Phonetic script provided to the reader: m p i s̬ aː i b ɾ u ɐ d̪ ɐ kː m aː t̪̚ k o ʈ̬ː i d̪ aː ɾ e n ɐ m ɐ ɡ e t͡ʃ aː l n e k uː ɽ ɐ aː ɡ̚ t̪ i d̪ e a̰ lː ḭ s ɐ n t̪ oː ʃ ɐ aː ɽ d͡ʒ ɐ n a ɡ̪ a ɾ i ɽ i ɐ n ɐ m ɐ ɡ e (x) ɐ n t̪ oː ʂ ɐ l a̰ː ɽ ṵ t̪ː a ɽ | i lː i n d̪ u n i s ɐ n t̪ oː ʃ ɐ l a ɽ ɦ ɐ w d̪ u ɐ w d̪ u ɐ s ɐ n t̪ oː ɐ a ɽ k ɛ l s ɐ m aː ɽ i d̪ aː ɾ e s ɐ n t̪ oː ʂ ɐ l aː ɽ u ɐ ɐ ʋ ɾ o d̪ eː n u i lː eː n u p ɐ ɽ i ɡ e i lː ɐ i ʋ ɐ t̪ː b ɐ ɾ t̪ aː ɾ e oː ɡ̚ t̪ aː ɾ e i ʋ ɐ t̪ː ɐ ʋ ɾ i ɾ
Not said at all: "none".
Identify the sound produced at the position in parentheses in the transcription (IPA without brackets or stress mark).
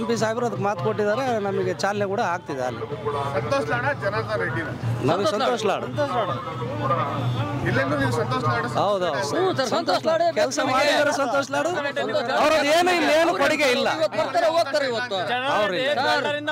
s